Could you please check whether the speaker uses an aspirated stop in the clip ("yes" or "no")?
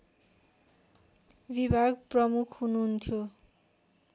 yes